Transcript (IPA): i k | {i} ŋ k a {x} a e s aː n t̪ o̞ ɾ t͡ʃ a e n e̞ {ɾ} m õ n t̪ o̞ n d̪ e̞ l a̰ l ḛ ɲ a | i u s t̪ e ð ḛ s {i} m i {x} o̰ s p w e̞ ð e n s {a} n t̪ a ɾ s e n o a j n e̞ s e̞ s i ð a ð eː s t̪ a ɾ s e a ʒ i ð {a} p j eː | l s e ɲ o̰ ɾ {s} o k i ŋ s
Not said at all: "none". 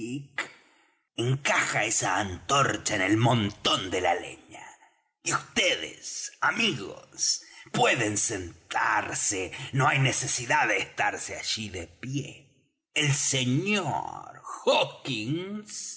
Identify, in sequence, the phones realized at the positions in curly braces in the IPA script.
e, x, l, a, ɣ, e, e, x

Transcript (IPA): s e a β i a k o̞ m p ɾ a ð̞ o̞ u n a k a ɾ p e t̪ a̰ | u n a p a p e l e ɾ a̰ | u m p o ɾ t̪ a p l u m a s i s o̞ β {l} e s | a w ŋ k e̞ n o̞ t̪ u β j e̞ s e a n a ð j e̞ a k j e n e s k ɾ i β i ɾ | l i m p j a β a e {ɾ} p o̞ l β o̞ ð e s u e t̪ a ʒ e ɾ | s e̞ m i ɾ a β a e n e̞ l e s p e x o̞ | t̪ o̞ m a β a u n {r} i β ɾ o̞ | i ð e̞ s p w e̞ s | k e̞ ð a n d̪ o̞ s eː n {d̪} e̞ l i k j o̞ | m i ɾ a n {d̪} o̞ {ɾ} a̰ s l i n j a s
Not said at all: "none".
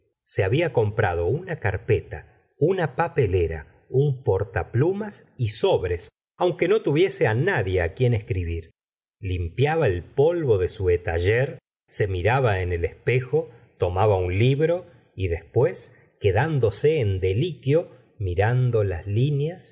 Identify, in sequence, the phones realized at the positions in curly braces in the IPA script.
ɾ, l, l, d̪, d̪, l

